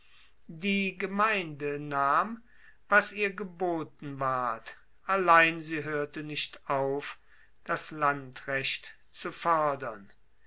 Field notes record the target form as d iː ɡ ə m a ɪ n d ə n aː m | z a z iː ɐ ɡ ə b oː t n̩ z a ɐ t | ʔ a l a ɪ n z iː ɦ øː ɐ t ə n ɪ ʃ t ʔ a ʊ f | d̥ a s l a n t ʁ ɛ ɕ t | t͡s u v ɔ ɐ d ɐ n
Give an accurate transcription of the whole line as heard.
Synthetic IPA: d iː ɡ ə m a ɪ n d ə n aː m | v a s iː ɐ ɡ ə b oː t n̩ v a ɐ t | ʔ a l a ɪ n z iː ɦ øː ɐ t ə n ɪ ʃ t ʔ a ʊ f | d̥ a s l a n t ʁ ɛ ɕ t | t͡s u f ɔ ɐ d ɐ n